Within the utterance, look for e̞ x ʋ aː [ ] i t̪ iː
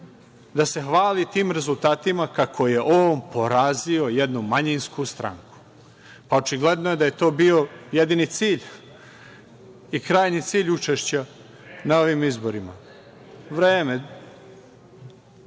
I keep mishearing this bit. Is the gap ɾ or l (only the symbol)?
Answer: l